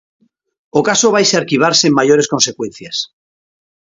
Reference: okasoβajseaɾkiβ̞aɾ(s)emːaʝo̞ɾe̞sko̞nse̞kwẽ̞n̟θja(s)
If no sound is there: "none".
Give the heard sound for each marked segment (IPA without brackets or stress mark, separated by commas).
s, s